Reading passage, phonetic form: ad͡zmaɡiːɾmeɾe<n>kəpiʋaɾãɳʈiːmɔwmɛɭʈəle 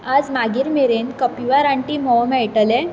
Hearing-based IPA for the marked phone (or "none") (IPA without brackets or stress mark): n